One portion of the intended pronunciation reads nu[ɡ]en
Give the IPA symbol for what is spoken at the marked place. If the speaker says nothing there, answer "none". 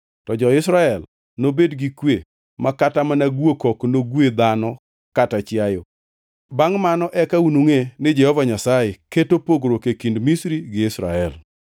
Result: ŋ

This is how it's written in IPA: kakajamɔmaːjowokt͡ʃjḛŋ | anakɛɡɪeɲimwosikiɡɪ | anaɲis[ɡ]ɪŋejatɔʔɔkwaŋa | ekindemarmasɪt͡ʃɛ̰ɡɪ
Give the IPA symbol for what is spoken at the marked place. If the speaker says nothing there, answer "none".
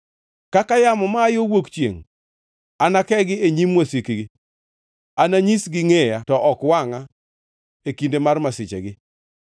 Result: ɡ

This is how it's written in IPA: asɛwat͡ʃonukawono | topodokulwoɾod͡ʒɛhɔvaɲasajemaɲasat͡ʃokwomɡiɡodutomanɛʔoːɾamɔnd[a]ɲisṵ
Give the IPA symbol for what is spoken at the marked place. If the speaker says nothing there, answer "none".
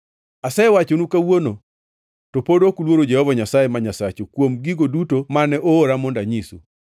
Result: a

